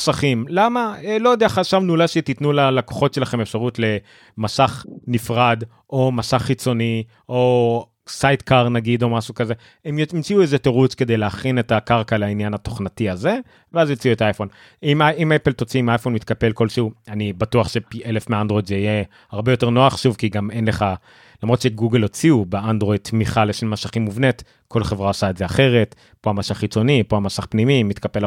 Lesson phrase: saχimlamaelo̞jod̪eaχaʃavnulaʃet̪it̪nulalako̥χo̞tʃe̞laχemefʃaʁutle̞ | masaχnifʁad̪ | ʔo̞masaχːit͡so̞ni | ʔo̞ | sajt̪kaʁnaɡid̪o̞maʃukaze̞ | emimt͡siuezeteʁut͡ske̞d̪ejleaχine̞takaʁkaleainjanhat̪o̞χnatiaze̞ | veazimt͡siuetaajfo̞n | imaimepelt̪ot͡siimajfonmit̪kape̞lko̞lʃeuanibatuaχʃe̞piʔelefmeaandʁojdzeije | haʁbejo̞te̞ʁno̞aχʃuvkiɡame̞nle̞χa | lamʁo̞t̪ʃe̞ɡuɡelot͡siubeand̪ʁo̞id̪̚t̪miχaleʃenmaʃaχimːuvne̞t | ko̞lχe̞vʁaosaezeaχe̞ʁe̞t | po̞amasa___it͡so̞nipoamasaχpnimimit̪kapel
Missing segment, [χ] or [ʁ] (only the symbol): χ